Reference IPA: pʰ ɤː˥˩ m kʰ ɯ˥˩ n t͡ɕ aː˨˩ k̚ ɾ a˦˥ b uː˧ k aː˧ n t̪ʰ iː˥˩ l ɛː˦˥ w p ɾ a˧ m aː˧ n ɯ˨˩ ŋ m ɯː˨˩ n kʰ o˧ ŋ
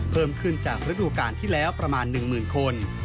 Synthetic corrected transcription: pʰ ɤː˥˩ m kʰ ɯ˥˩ n t͡ɕ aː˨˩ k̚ ɾ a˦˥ d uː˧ k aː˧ n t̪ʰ iː˥˩ l ɛː˦˥ w p ɾ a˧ m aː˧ nː ɯ˨˩ ŋ m ɯː˨˩ n kʰ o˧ n